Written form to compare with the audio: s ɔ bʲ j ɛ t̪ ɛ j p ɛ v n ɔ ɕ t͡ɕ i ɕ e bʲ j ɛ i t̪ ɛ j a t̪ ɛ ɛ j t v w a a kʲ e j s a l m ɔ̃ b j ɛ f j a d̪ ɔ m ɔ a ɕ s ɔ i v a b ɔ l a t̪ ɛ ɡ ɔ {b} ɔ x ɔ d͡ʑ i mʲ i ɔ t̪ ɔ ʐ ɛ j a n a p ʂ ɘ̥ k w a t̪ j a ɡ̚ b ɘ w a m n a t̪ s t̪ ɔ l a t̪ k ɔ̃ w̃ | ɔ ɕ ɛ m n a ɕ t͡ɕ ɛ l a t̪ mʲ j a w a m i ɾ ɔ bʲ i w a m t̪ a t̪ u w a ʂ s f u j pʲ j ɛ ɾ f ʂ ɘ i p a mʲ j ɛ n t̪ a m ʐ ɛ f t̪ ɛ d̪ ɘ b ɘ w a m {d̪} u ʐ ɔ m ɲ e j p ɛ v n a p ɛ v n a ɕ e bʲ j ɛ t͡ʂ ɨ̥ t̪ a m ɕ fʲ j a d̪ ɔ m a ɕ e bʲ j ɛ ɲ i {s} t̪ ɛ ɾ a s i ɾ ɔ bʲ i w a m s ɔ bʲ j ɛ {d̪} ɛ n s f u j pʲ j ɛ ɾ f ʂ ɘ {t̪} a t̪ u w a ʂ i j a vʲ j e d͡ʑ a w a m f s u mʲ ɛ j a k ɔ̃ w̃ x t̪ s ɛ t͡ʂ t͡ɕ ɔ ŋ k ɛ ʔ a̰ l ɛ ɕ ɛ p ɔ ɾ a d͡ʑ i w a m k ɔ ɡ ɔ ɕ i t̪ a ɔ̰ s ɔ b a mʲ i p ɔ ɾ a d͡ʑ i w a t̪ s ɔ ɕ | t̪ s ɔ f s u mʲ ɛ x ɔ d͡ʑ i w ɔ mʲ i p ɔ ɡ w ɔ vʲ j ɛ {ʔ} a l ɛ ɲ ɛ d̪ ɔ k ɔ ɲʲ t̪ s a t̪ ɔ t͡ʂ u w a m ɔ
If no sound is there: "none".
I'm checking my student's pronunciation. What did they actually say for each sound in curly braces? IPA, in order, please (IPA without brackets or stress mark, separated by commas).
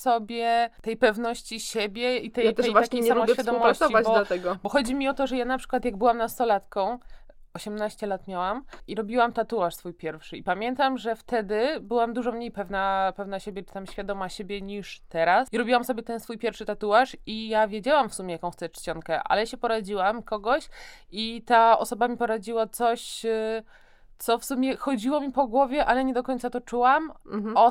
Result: b, d̪, ʂ, t̪, t̪, ʔ